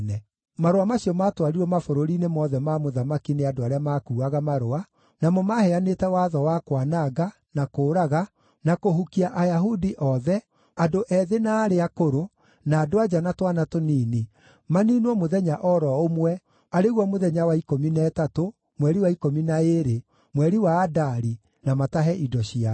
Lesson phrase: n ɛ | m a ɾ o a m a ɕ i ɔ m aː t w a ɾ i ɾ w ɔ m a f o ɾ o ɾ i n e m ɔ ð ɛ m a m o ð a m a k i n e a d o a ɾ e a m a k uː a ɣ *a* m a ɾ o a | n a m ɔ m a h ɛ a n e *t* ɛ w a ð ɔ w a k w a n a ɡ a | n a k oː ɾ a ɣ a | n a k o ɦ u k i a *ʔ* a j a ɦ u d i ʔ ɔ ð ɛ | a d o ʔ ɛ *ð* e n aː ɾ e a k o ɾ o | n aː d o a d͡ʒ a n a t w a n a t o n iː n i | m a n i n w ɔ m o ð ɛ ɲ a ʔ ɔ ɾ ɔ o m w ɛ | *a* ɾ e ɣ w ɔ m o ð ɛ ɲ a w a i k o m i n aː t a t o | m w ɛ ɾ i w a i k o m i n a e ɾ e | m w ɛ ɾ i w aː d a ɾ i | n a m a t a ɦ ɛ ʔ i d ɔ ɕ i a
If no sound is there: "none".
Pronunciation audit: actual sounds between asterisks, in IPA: a, t, ʔ, ð, a

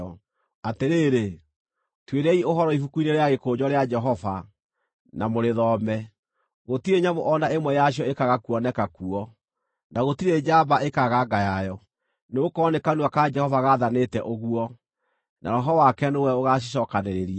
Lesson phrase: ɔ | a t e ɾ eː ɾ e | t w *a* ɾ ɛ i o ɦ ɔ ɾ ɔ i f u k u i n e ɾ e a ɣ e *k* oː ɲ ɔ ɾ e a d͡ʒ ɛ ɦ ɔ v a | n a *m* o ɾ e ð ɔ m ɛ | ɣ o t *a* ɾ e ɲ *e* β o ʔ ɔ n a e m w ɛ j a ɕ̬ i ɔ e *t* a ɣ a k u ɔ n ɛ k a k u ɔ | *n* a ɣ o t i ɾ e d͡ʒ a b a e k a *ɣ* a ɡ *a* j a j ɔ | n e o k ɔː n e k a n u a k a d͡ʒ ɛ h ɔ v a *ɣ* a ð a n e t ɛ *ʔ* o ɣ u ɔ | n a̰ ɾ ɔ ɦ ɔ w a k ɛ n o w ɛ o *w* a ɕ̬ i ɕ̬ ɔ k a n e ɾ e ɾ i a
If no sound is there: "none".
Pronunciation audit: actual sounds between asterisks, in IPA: e, k, m, i, a, k, n, ɣ, a, ɣ, ʔ, ɣ

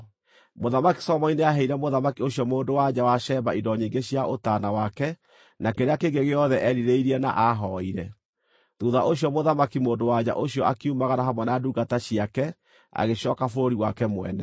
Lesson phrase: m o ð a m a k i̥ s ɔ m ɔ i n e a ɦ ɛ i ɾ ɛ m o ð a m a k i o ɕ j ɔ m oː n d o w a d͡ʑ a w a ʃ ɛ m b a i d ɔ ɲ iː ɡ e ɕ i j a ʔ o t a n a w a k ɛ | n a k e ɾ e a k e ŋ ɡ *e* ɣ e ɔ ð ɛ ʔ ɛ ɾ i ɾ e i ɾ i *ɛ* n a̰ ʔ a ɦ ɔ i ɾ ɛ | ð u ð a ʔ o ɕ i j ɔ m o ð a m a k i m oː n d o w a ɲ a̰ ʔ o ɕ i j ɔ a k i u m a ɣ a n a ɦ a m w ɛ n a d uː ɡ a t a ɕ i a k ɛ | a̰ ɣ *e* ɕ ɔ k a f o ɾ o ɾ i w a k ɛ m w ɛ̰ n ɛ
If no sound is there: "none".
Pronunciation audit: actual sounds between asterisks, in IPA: e, ɛ, e

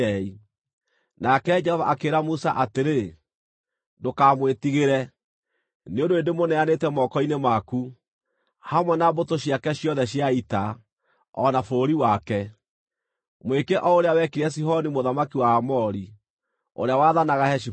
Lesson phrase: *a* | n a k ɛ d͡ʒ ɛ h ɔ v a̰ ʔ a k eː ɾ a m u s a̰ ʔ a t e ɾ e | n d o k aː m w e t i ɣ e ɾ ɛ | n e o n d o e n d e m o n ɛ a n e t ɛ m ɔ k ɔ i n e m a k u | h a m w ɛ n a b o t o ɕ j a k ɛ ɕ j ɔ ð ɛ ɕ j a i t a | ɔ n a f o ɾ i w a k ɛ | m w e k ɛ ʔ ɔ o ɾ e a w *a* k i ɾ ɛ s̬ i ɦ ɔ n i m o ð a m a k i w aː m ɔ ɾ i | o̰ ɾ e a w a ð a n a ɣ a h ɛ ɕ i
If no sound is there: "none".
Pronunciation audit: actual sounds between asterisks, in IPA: i, ɛ

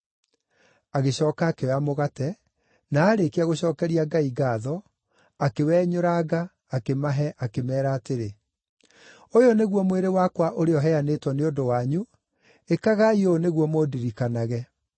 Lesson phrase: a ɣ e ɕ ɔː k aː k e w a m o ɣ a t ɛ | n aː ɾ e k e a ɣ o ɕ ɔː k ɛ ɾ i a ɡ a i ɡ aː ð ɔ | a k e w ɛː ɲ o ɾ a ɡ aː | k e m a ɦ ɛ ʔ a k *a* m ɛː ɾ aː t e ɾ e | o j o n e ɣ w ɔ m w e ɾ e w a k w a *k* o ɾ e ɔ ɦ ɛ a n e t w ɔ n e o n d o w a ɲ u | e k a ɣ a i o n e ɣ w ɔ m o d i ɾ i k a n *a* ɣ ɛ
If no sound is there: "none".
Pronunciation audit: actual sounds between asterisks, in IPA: e, ʔ, a

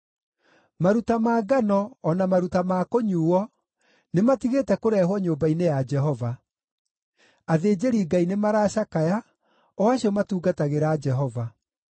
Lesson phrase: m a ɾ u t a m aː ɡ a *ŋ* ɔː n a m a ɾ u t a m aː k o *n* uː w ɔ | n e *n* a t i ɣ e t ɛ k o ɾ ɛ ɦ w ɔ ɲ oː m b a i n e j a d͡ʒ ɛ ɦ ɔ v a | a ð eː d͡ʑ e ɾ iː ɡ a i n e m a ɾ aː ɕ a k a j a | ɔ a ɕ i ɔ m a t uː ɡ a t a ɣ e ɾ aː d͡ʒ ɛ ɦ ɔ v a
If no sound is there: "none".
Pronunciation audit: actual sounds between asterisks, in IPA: n, ɲ, m

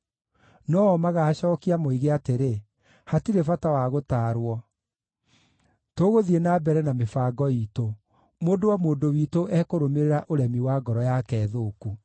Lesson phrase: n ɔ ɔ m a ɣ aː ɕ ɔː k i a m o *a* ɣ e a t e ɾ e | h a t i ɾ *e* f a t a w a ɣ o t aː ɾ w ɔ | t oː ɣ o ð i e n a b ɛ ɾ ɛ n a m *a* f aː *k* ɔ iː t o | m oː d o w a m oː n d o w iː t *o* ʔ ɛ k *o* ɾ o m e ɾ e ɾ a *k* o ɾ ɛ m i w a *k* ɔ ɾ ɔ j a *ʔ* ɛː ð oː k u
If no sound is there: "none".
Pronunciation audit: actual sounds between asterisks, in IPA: i, e, e, ɡ, o, o, ʔ, ɡ, k

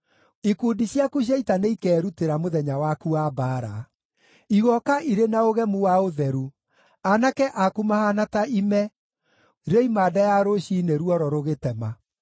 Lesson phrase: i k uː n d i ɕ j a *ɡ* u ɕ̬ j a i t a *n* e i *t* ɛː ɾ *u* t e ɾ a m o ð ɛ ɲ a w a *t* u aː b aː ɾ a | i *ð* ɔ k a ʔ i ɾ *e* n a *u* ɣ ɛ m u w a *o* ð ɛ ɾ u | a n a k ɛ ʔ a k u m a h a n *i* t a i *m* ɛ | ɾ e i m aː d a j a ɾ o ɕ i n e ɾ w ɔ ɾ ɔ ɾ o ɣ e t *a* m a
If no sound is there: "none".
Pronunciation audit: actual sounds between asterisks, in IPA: k, n, k, u, k, ɣ, e, o, o, a, m, ɛ

